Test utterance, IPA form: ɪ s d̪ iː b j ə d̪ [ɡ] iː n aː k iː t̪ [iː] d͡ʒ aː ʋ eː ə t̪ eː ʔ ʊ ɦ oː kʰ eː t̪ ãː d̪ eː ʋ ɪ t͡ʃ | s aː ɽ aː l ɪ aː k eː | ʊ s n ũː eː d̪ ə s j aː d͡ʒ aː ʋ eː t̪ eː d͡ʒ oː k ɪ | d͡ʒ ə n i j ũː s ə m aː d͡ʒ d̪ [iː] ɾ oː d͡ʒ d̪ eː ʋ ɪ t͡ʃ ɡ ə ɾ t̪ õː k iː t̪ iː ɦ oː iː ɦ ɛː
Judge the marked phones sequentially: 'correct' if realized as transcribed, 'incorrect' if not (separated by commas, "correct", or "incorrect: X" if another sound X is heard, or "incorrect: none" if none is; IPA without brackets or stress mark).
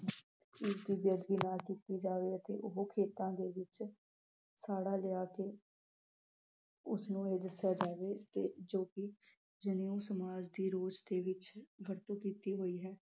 correct, correct, correct